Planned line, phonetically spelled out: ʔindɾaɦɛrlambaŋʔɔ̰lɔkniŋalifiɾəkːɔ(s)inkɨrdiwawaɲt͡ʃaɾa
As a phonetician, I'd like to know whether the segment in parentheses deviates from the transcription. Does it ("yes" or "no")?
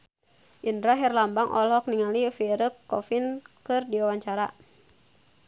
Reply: yes